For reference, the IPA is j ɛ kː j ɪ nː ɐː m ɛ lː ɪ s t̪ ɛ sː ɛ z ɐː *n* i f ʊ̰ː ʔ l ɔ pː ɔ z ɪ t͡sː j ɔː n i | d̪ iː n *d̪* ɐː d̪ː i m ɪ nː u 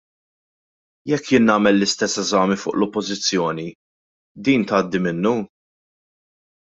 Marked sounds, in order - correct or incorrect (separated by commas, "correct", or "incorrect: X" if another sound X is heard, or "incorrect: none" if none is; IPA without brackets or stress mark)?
incorrect: m, incorrect: t̪